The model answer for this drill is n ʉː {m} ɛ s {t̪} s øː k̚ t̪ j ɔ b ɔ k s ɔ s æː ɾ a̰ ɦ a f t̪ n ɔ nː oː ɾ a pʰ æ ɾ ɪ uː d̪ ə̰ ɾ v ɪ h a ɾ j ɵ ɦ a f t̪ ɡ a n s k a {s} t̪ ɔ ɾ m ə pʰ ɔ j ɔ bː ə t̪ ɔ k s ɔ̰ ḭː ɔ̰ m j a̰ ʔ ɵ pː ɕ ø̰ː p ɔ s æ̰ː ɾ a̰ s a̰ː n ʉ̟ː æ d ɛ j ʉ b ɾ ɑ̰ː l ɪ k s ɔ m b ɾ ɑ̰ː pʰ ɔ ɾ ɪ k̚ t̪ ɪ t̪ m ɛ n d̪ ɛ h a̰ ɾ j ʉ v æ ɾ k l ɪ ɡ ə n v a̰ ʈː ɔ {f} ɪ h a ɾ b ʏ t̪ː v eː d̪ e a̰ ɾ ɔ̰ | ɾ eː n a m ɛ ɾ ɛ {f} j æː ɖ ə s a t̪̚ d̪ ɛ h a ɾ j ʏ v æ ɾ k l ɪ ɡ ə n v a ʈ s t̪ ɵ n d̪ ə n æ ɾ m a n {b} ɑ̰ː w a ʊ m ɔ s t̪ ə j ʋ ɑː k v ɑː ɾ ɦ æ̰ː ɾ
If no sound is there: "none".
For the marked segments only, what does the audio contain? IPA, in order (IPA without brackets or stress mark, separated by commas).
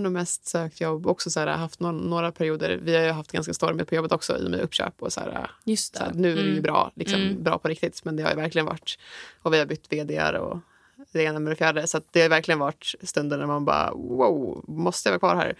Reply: m, t̪, s, v, f, b